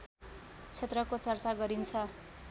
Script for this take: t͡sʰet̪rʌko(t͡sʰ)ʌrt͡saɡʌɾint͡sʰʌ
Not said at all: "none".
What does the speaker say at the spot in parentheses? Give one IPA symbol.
t͡s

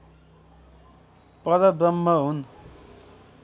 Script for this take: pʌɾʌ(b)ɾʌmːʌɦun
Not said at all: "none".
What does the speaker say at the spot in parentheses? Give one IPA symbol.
b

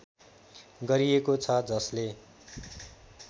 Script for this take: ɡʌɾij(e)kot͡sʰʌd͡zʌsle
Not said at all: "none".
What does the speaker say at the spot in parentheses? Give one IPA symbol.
e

